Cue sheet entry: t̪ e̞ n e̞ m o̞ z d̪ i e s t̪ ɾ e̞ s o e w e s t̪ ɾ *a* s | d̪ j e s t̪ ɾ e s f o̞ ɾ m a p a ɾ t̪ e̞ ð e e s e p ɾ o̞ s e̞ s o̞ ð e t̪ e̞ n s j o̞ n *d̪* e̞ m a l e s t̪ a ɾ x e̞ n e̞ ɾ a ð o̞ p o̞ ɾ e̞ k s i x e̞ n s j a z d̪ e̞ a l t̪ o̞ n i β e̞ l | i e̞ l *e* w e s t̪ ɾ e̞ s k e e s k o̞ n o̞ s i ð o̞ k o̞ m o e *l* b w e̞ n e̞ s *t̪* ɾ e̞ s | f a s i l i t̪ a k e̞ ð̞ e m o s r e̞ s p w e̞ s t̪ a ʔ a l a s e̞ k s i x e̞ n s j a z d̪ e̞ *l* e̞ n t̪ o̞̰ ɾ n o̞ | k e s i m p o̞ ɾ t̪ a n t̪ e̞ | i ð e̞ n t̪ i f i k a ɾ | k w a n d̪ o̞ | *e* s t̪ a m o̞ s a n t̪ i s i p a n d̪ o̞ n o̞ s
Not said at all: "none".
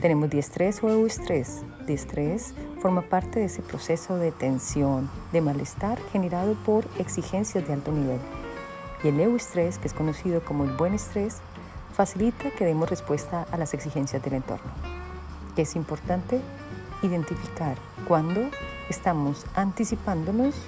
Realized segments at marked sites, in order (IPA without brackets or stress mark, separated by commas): e, d̪, e, l, t̪, l, e